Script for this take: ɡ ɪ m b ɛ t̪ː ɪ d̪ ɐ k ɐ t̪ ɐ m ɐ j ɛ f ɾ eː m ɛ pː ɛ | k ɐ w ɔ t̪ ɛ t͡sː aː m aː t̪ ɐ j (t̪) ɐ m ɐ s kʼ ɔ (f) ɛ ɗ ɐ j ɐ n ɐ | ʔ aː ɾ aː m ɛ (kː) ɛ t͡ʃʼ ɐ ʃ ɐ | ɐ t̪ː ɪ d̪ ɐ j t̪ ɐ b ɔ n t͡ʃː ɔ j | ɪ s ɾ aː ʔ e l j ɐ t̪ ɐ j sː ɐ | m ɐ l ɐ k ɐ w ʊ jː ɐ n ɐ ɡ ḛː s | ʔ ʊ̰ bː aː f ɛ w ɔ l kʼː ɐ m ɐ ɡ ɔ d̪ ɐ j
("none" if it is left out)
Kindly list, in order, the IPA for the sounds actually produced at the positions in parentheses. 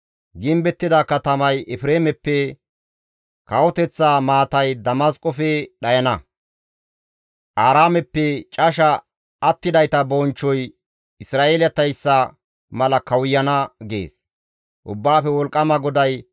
d̪, f, pː

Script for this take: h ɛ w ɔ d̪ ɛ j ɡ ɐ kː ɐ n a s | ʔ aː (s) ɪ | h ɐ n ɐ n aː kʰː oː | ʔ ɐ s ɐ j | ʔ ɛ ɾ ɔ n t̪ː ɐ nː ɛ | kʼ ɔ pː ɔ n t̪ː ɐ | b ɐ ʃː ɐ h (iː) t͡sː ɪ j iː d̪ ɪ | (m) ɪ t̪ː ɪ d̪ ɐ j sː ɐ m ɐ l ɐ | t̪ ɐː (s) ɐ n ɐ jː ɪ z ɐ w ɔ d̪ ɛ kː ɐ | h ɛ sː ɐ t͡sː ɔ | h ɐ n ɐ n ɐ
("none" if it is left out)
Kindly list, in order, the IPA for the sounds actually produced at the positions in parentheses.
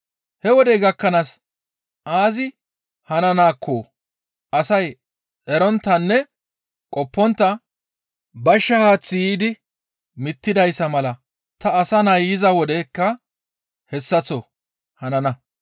z, aː, m, s

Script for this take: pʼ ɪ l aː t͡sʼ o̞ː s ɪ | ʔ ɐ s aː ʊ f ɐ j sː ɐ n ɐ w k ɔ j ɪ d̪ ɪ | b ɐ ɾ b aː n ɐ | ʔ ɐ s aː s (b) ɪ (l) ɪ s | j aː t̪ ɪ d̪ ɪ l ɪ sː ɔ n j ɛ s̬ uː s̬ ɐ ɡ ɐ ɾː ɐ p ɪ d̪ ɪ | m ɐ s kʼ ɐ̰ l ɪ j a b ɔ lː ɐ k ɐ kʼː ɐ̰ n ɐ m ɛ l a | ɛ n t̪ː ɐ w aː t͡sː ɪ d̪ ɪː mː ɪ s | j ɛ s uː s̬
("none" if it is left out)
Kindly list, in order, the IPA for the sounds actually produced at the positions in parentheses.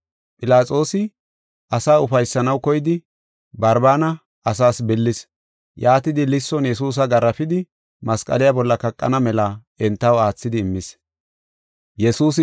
b, lː

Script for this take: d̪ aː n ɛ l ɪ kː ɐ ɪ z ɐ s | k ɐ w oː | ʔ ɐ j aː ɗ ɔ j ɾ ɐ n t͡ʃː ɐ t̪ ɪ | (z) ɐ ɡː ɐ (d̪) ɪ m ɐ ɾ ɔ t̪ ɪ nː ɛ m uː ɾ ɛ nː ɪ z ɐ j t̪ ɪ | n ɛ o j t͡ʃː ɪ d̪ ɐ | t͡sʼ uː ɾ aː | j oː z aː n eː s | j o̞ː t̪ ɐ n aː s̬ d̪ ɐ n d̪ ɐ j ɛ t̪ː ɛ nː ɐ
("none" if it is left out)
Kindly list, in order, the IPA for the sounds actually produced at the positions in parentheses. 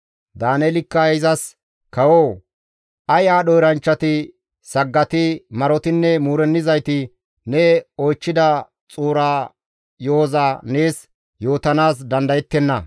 s, t̪

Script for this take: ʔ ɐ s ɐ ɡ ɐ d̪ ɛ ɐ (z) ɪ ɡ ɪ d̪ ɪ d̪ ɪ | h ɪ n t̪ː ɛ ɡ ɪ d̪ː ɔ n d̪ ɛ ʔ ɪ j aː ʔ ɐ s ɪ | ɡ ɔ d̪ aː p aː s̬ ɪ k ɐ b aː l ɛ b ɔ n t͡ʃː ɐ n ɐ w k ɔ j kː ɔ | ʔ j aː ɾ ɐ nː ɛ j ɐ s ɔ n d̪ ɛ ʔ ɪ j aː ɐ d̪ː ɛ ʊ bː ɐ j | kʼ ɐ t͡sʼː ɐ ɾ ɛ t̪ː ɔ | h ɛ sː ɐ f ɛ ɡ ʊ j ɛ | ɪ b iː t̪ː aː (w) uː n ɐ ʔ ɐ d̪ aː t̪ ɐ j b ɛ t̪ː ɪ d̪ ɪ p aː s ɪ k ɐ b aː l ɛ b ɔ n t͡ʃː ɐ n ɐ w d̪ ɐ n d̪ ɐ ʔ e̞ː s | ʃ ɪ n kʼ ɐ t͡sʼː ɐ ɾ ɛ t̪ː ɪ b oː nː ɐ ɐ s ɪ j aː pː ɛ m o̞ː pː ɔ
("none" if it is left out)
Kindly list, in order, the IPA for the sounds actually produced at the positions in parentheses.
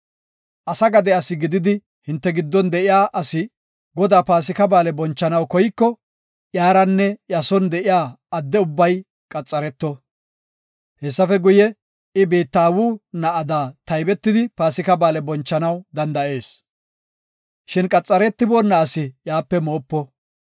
s, w

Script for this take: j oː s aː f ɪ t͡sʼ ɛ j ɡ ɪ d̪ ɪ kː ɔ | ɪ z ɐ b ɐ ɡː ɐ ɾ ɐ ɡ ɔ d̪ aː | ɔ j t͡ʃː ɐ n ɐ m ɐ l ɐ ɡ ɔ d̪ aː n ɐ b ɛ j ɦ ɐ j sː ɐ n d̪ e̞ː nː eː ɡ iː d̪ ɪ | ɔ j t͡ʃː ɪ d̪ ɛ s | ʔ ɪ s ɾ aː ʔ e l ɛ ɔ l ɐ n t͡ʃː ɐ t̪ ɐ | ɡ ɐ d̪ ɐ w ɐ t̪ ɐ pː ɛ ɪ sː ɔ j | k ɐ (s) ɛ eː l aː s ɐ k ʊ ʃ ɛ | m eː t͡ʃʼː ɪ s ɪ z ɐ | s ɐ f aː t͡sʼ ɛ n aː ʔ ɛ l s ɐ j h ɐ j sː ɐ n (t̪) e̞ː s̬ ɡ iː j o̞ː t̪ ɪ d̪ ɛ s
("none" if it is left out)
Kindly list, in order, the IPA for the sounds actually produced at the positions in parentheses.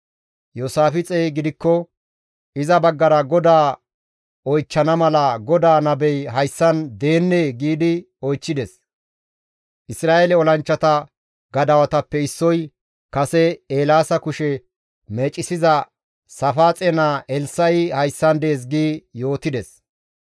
s, d̪

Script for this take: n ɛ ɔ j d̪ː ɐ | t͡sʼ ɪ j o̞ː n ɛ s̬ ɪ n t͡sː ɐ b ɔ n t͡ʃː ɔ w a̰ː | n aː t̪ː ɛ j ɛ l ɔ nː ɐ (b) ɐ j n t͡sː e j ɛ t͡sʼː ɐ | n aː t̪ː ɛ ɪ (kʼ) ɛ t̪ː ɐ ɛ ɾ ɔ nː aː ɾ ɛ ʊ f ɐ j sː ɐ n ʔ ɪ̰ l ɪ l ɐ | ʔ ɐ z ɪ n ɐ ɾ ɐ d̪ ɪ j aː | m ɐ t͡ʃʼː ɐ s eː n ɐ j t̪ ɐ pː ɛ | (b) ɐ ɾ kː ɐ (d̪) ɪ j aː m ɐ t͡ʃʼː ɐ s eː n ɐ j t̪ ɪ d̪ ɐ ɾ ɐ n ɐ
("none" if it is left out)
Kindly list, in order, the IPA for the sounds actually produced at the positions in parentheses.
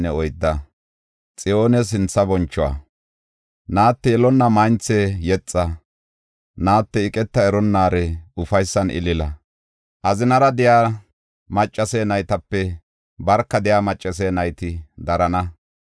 m, kʼ, b, d̪

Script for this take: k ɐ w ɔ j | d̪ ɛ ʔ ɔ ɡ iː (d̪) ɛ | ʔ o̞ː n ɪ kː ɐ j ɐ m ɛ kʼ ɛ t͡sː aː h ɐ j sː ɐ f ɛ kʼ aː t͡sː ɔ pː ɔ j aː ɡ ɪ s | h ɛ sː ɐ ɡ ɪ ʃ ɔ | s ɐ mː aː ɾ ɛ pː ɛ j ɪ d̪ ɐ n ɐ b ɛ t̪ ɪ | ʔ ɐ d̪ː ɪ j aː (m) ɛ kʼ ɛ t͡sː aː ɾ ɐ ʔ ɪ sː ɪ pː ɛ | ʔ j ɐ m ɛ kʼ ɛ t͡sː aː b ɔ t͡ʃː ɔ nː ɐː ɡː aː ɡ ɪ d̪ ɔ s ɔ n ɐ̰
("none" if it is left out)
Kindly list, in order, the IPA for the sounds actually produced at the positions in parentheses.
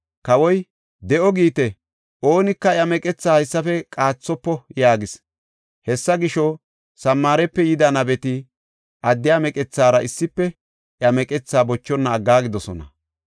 t̪, m

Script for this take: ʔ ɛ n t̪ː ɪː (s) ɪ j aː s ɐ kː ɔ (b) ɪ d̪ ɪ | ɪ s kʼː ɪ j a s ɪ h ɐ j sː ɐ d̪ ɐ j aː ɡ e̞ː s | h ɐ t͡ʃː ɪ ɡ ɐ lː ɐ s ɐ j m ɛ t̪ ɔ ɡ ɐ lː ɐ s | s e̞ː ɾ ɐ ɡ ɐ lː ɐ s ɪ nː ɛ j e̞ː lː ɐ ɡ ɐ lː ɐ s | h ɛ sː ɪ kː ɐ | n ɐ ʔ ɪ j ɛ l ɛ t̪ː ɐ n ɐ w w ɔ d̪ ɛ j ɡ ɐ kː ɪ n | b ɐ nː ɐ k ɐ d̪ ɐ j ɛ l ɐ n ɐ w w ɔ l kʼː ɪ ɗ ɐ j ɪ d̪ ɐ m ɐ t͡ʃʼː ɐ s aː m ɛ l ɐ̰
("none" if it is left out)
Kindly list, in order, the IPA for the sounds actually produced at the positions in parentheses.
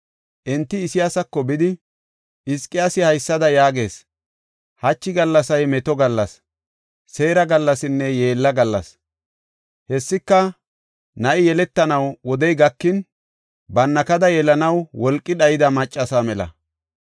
s, b

